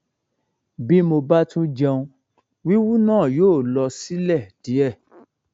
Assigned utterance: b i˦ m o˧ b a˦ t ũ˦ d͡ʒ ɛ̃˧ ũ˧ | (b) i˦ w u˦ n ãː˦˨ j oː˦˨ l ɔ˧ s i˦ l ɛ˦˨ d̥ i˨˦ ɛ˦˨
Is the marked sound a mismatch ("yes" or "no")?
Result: yes